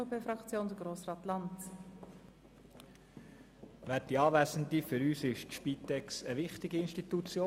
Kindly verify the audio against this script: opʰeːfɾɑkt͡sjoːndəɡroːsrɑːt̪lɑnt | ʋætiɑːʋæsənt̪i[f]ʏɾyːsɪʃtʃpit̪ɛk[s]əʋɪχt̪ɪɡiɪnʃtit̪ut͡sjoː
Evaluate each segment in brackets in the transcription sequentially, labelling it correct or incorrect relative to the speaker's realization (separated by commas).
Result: correct, correct